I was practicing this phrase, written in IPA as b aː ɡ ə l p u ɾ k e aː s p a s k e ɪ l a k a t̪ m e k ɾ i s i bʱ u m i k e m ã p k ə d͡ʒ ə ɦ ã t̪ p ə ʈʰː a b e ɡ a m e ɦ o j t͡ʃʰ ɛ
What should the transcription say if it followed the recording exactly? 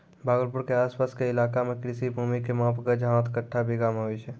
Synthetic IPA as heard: b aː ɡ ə l p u ɾ k e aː s p a s k e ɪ l a k a m e k ɾ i s i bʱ u m i k e m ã p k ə d͡ʒ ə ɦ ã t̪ k ə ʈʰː a b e ɡ a m e ɦ o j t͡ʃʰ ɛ